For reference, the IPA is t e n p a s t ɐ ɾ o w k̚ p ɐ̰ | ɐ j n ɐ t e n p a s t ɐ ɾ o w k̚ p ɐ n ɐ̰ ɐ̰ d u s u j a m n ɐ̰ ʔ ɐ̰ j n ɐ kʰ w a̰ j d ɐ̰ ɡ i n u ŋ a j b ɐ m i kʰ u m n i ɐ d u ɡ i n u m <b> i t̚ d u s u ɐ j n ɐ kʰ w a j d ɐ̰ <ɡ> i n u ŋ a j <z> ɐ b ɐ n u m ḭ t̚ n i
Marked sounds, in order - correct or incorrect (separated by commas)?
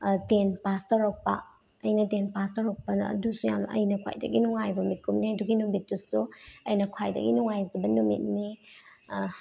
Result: correct, correct, correct